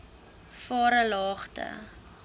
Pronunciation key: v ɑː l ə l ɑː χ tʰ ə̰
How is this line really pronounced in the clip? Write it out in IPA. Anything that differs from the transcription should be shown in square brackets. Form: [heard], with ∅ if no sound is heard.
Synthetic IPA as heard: [f] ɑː [ɾ] ə l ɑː χ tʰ ə̰